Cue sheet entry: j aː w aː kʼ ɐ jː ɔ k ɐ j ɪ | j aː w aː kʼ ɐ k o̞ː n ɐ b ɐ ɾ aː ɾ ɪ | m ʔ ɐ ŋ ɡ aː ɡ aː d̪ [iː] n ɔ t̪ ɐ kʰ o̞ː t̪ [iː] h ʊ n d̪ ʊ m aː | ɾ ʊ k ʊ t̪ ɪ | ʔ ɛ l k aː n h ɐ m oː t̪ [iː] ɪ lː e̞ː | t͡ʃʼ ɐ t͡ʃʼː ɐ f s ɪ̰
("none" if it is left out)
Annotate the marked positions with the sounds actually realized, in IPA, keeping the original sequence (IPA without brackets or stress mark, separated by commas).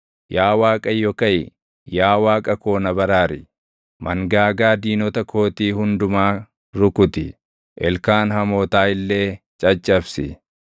iː, iː, aː